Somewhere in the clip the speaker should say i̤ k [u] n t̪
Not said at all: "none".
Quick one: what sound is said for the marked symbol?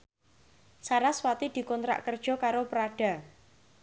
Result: ɔ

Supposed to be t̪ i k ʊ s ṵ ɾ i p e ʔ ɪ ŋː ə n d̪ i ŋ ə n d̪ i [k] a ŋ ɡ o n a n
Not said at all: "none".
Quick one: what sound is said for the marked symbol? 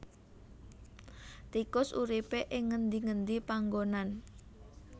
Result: p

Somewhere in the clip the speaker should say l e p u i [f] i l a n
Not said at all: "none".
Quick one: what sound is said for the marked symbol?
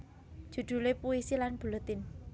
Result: s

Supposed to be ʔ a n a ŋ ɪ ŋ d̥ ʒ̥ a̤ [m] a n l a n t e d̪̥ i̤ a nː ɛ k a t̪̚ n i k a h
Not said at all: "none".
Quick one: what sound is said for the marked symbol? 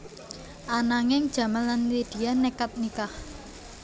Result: m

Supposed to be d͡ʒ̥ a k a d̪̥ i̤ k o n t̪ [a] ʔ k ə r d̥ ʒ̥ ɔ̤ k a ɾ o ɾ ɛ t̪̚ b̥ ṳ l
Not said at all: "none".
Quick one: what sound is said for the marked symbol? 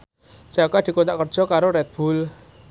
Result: a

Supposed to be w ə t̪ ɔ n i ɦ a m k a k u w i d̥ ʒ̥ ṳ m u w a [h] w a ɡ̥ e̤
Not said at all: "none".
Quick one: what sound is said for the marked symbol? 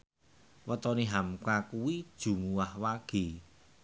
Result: h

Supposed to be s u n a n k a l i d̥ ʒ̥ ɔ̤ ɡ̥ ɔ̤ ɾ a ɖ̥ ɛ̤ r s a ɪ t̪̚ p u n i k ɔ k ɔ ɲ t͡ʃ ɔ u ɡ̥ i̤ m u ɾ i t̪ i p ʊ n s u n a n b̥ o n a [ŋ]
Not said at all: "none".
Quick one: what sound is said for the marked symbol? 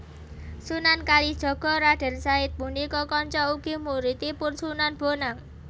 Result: ŋ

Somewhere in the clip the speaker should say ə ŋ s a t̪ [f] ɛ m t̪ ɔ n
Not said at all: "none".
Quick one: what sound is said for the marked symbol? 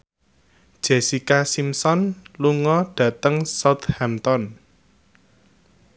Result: h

